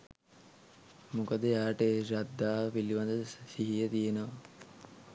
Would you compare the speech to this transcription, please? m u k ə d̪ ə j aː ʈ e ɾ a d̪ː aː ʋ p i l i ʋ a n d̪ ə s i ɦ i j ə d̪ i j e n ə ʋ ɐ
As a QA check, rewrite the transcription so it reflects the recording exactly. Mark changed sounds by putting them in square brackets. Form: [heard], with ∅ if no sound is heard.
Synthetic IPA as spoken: m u k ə d̪ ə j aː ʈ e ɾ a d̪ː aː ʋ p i l i ʋ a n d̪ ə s i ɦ i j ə [t̪] i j e n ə ʋ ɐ